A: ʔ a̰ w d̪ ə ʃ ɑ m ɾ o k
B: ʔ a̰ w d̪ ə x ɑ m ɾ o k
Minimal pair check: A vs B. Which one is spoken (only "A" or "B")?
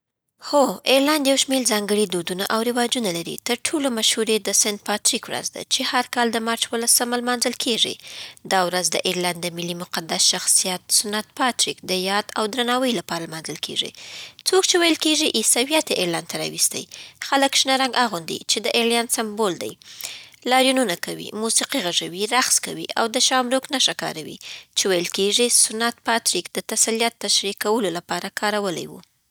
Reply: A